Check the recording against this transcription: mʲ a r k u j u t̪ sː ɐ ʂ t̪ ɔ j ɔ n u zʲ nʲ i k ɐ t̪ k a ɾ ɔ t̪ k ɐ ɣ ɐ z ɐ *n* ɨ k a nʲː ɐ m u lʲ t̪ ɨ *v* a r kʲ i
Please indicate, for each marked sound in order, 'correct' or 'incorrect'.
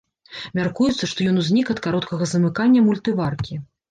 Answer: incorrect: m, correct

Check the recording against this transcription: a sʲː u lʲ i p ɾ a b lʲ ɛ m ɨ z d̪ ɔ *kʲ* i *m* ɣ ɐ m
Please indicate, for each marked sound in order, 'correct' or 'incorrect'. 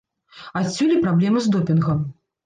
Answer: incorrect: pʲ, incorrect: n

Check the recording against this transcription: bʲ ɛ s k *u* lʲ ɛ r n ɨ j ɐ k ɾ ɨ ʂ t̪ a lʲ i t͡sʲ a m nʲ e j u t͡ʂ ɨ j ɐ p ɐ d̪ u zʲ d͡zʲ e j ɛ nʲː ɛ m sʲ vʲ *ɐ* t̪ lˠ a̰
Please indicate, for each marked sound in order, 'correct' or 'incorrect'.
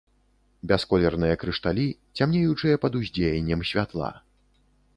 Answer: incorrect: ɔ, incorrect: a

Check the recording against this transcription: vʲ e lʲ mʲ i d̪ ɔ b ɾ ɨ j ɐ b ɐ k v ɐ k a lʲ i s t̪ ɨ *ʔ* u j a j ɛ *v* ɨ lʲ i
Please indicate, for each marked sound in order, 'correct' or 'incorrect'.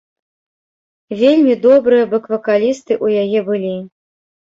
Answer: correct, incorrect: b

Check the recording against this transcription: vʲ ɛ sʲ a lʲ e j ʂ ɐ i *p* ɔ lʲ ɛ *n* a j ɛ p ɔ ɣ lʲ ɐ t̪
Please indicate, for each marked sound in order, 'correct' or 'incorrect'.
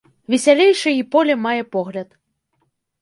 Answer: correct, incorrect: m

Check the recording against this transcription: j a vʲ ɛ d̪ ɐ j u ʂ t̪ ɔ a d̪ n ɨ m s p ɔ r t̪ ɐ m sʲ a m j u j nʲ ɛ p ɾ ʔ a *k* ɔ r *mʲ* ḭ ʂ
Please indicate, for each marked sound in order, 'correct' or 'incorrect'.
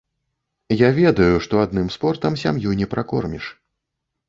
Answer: correct, correct

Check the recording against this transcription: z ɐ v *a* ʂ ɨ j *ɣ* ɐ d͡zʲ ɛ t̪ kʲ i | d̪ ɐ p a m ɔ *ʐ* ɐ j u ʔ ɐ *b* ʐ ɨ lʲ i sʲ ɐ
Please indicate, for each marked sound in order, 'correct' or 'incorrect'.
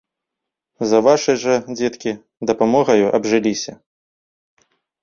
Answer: correct, incorrect: ʐ, incorrect: ɣ, correct

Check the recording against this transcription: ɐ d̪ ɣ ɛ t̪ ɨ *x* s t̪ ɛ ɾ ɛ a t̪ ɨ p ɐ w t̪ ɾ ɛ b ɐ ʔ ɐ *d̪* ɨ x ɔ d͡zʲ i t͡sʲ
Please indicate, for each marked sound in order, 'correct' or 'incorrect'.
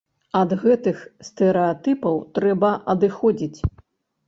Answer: correct, correct

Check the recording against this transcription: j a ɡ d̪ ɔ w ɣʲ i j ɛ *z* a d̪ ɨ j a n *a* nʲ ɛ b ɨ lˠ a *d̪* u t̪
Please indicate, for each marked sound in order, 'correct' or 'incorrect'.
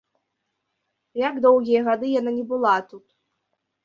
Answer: incorrect: ɣ, correct, incorrect: t̪

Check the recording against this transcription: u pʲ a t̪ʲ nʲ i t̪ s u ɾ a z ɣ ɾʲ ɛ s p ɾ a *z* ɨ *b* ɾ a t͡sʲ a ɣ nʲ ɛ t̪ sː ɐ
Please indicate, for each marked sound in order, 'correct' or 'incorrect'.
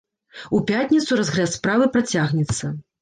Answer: incorrect: v, incorrect: p

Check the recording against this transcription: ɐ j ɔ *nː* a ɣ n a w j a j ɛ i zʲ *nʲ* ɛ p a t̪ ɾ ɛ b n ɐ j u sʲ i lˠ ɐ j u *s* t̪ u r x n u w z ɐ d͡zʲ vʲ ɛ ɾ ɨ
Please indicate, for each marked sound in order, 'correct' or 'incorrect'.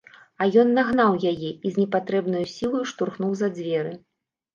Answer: correct, correct, incorrect: ʂ

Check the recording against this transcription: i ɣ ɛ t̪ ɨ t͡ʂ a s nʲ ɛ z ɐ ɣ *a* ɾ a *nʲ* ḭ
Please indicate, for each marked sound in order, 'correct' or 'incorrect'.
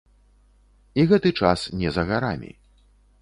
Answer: correct, incorrect: mʲ

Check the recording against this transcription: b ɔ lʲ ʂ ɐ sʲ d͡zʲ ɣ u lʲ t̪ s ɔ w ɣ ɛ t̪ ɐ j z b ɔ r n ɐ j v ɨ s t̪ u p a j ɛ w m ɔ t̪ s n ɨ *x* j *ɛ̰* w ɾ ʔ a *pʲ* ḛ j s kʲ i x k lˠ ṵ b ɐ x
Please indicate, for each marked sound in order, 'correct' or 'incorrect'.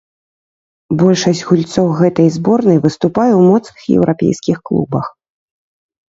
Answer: correct, correct, correct

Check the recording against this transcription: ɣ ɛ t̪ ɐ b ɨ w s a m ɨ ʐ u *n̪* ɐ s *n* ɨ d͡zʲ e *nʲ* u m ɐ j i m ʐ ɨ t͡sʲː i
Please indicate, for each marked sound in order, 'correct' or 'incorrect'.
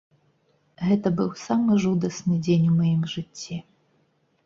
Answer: incorrect: d̪, correct, correct

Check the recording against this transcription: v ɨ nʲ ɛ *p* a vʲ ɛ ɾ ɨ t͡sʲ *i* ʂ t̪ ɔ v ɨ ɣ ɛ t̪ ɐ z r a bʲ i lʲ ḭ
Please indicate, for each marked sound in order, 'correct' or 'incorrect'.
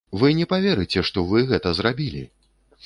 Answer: correct, incorrect: ɛ

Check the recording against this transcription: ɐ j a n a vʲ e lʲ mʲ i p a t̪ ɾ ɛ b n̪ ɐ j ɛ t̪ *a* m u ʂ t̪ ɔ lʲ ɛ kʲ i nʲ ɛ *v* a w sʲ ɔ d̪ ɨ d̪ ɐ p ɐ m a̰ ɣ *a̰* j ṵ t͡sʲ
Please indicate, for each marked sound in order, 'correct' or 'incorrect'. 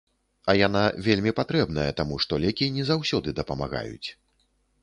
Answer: correct, incorrect: z, correct

